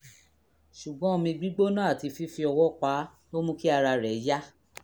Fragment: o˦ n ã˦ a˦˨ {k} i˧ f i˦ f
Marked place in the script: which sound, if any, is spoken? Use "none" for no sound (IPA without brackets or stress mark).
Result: t